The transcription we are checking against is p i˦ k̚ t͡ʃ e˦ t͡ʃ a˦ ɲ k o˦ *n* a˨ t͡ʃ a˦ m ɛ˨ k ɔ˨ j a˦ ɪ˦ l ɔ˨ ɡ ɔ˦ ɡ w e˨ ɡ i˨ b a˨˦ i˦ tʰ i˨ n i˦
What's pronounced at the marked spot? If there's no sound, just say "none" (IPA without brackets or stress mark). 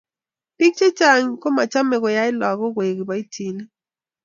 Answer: m